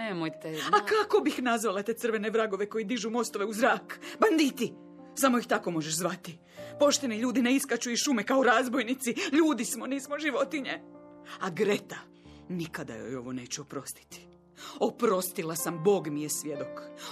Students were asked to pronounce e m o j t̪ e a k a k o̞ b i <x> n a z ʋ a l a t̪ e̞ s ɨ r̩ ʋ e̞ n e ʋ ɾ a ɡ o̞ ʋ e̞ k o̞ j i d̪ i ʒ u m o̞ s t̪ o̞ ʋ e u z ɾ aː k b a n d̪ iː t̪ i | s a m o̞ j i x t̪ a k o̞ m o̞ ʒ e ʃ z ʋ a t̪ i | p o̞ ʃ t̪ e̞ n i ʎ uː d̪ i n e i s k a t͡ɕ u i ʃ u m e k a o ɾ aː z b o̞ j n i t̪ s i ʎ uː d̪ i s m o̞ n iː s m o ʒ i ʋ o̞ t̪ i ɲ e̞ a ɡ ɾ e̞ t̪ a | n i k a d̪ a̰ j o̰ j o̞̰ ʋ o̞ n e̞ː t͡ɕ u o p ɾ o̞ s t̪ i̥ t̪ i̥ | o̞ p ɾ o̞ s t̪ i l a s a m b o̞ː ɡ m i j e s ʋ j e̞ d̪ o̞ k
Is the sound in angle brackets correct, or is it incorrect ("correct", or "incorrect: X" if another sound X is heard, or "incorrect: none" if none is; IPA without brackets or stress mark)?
correct